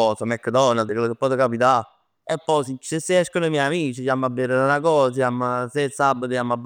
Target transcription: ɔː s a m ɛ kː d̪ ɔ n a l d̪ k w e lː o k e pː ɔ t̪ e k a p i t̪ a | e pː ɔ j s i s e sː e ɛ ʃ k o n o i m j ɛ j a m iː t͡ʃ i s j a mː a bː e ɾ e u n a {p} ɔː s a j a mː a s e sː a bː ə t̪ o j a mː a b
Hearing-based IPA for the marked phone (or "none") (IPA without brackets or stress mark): k